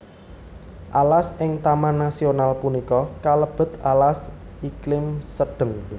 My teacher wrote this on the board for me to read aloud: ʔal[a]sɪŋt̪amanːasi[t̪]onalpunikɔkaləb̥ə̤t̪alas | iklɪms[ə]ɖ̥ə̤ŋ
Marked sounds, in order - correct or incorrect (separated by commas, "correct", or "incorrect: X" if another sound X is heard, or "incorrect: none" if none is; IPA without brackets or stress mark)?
correct, incorrect: none, correct